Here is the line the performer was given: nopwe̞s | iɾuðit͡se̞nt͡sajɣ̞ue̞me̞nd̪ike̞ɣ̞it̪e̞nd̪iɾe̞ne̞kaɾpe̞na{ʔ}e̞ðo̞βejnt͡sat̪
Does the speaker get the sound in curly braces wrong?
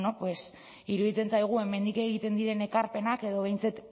yes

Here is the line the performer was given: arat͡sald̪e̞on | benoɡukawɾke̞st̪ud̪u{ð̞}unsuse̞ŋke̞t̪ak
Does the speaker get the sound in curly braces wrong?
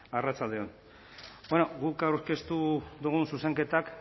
yes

